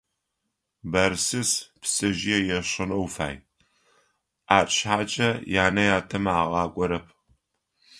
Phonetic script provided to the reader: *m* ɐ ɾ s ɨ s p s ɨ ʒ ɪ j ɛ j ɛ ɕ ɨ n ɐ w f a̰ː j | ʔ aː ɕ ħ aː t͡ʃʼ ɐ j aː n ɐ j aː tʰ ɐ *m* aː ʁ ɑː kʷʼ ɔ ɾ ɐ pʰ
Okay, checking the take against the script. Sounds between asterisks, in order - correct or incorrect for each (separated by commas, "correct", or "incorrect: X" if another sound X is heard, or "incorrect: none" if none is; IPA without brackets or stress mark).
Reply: incorrect: b, correct